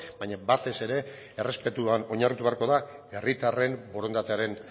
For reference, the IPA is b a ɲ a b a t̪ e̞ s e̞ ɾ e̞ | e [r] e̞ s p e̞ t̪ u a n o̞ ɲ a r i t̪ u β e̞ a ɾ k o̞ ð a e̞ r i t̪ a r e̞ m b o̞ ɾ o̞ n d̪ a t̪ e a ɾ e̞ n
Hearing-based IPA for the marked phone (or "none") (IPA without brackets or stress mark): r